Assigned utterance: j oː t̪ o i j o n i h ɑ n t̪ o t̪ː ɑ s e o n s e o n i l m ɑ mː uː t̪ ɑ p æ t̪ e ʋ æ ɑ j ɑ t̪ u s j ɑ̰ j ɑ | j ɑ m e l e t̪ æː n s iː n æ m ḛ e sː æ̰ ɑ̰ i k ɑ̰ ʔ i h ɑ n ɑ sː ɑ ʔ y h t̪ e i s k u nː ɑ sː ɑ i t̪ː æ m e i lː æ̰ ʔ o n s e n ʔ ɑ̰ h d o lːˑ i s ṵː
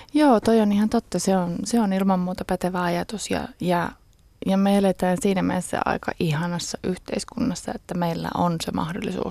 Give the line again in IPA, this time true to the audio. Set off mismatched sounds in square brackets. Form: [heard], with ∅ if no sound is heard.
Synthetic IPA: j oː t̪ o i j o n i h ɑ n t̪ o t̪ː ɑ s e o n s e o n i l m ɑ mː uː t̪ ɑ p æ t̪ e ʋ æ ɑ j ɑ t̪ u s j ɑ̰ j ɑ | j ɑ m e l e t̪ æː n s iː n æ m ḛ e sː æ̰ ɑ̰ i k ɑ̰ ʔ i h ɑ n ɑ sː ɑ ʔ y h t̪ e i s k u nː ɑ sː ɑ [e] t̪ː æ m e i lː æ̰ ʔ o n s e [m] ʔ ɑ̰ h d o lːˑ i s ṵː